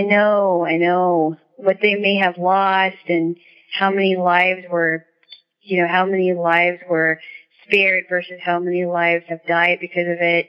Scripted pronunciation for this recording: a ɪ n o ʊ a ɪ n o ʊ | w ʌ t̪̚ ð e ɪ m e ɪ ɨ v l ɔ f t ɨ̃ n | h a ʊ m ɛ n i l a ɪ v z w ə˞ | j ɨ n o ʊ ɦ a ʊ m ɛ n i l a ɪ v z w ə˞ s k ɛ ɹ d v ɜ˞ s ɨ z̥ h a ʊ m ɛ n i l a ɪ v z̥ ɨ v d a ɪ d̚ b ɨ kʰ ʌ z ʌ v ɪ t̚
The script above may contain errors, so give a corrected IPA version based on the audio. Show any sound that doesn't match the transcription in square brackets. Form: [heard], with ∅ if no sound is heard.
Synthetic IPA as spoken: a ɪ n o ʊ a ɪ n o ʊ | w ʌ t̪̚ ð e ɪ m e ɪ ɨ v l ɔ [s] t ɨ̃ n | h a ʊ m ɛ n i l a ɪ v z w ə˞ | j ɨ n o ʊ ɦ a ʊ m ɛ n i l a ɪ v z w ə˞ s [p] ɛ ɹ d v ɜ˞ s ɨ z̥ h a ʊ m ɛ n i l a ɪ v z̥ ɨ v d a ɪ d̚ b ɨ kʰ ʌ z ʌ v ɪ t̚